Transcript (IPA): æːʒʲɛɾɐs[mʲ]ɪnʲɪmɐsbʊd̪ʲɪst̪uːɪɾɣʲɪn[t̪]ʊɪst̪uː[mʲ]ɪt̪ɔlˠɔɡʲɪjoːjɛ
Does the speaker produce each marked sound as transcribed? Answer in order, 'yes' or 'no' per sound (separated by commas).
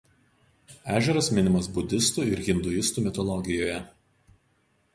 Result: yes, no, yes